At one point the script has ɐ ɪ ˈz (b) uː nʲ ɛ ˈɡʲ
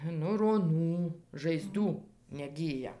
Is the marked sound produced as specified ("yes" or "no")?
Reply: no